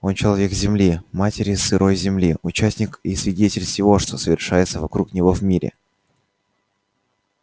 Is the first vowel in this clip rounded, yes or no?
yes